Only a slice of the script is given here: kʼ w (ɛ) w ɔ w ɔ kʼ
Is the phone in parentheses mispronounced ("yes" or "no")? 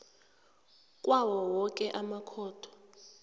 yes